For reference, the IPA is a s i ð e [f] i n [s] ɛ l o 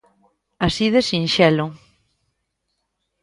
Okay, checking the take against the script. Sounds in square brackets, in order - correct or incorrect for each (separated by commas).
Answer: incorrect, incorrect